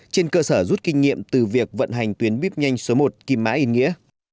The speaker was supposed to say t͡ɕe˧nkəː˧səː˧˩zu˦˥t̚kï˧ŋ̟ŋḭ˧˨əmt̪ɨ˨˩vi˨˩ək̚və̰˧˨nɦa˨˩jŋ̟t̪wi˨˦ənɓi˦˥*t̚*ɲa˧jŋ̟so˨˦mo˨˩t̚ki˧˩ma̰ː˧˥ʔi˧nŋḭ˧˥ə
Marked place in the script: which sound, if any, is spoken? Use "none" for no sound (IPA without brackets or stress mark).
p̚